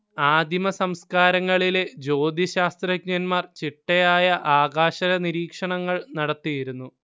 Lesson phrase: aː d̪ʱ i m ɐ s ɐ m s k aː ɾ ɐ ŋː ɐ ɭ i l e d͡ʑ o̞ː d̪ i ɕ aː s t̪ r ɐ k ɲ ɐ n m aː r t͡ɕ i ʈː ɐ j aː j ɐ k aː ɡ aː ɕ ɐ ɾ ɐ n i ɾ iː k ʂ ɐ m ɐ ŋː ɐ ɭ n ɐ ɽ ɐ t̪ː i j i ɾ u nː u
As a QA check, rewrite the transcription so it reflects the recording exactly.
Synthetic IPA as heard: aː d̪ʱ i m ɐ s ɐ m s k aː ɾ ɐ ŋː ɐ ɭ i l e d͡ʑ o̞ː d̪ i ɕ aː s t̪ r ɐ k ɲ ɐ n m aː r t͡ɕ i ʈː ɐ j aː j ɐ ʔ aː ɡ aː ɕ ɐ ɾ ɐ n i ɾ iː k ʂ ɐ ɳ ɐ ŋː ɐ ɭ n ɐ ɽ ɐ t̪ː i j i ɾ u nː u